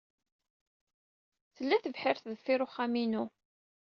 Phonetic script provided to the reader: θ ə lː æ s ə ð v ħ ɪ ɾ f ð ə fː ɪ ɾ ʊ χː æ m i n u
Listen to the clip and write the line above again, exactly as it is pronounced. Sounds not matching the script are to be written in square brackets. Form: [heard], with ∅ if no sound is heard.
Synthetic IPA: θ ə lː æ [θ] ə [∅] v ħ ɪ ɾ [θ] ð ə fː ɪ ɾ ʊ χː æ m i n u